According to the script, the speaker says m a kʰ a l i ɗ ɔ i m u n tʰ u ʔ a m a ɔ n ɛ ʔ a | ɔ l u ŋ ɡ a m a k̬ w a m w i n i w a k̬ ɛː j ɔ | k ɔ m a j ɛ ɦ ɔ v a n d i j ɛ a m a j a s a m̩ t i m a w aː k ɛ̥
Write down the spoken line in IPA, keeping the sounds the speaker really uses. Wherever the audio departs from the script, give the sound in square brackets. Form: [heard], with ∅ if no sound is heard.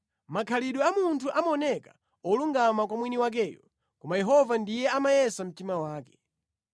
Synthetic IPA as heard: m a kʰ a l i ɗ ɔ [a] m u n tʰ u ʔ a m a ɔ n ɛ [k] a | ɔ l u ŋ ɡ a m a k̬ w a m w i n i w a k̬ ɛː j ɔ | k ɔ m a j ɛ ɦ ɔ v a n d i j ɛ a m a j [ɛ] s a m̩ t i m a w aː k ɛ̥